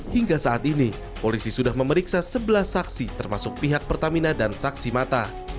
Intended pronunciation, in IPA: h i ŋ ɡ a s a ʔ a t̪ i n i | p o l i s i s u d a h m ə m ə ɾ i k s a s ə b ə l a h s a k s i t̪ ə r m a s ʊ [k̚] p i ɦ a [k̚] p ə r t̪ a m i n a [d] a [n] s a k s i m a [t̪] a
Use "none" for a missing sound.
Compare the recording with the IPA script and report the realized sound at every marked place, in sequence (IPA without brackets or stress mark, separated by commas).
k̚, k̚, d, n, t̪